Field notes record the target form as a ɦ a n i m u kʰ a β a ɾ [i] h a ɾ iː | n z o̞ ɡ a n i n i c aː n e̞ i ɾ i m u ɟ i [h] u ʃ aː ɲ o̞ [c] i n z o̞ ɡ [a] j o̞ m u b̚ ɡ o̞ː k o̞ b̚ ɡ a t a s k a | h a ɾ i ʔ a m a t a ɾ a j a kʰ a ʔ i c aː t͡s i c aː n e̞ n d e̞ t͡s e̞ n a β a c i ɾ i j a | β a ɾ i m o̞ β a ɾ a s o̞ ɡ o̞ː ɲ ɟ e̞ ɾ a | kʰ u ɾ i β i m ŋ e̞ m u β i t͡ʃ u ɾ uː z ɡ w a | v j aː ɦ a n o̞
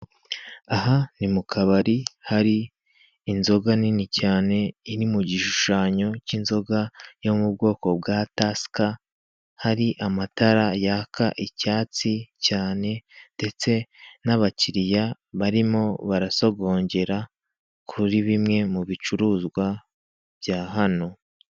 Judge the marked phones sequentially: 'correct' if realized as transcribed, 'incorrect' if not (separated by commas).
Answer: correct, incorrect, correct, correct